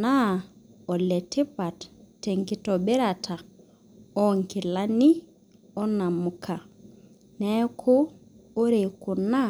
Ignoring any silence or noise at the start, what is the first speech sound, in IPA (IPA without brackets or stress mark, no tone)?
n